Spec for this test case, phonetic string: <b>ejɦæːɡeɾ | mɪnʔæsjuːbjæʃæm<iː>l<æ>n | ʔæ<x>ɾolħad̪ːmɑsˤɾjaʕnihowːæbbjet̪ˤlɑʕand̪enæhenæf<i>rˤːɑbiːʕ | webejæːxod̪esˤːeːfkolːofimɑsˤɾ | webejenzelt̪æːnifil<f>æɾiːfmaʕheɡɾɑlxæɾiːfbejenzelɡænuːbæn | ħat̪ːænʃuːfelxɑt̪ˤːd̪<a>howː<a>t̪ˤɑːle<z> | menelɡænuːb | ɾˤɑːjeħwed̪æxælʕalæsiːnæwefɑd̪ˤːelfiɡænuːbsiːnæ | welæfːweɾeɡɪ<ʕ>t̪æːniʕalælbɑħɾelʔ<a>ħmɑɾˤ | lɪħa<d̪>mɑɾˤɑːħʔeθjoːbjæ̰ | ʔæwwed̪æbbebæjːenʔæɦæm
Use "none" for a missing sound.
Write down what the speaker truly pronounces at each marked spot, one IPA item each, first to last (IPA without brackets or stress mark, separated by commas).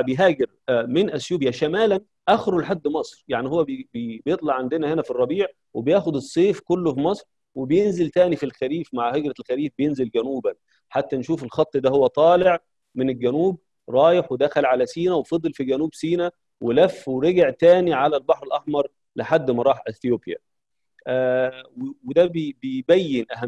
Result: b, æː, æ, x, i, x, æ, æ, ʕ, ʕ, ɑ, d̪ː